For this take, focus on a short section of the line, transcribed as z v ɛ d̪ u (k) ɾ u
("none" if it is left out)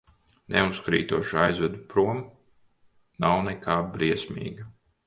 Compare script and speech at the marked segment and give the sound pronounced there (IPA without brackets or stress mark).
p